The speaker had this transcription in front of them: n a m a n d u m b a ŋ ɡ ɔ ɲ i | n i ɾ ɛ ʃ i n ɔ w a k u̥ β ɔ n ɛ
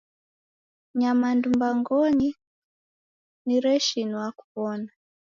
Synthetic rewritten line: ɲ a m a n d u m b a ŋ ɡ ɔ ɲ i | n i ɾ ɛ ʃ i n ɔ w a k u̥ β ɔ n a